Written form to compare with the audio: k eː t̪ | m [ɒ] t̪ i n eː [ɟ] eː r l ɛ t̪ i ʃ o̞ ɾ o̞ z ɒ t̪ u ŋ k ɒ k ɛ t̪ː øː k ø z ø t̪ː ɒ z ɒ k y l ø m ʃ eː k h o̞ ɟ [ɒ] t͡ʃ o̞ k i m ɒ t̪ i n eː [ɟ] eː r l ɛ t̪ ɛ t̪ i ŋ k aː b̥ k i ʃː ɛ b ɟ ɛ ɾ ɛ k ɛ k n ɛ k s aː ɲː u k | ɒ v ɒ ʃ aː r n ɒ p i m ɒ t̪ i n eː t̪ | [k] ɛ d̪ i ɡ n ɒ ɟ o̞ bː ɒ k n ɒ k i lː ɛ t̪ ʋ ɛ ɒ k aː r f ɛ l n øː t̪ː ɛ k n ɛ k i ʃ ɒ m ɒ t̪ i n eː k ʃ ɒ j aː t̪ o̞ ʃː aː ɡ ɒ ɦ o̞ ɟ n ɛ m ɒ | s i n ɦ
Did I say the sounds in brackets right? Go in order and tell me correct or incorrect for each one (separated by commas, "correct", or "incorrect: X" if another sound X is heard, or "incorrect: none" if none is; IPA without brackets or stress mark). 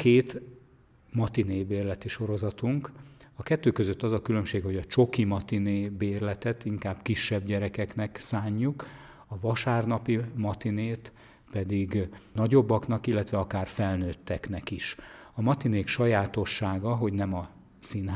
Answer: correct, incorrect: b, correct, incorrect: b, incorrect: p